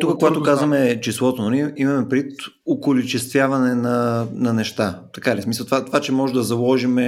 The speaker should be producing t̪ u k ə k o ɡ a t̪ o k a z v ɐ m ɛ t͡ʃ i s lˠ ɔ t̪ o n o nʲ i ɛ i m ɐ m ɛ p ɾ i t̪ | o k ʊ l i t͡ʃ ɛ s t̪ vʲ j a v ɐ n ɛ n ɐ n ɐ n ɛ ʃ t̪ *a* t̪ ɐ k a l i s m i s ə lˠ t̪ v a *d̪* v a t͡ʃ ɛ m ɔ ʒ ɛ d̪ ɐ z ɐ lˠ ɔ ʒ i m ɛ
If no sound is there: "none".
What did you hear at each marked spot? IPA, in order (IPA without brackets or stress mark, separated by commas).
a, t̪